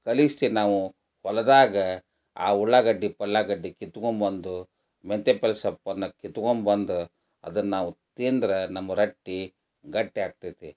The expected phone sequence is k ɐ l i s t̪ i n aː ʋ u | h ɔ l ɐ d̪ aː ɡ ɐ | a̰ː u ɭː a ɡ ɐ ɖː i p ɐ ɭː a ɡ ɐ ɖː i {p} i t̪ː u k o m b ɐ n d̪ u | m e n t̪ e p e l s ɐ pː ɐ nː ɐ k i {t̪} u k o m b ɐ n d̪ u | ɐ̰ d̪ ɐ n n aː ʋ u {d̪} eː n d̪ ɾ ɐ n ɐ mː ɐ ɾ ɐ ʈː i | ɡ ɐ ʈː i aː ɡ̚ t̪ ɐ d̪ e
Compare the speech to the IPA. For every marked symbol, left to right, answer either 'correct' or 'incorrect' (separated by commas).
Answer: incorrect, correct, incorrect